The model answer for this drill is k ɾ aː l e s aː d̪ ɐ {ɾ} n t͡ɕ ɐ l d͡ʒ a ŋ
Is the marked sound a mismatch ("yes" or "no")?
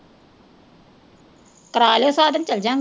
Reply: yes